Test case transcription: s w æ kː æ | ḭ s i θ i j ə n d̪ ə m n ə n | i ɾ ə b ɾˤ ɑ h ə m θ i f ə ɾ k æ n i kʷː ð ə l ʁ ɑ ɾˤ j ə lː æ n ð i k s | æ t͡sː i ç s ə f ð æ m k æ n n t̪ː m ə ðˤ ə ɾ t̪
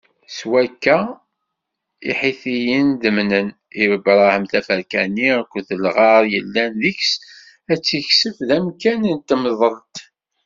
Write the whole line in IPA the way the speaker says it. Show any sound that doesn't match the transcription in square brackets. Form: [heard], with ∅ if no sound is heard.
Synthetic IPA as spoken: s w æ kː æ | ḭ [ħ] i θ i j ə n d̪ ə m n ə n | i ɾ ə b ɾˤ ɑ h ə m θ [æ] f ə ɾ k æ n i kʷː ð ə l ʁ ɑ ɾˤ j ə lː æ n ð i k s | æ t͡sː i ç s ə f ð æ m k æ n n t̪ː m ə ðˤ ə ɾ t̪